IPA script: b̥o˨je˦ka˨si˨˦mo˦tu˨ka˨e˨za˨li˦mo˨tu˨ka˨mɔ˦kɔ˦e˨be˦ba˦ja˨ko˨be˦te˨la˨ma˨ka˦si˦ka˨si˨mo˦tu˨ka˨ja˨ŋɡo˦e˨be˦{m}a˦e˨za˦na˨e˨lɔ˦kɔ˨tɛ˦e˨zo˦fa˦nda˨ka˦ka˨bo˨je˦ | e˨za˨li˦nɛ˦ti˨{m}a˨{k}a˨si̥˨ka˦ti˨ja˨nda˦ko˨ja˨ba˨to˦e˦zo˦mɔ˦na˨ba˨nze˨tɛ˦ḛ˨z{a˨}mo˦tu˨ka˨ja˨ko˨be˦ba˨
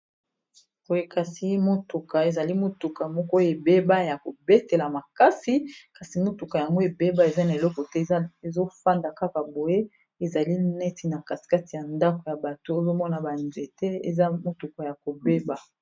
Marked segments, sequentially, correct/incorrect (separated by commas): incorrect, incorrect, correct, incorrect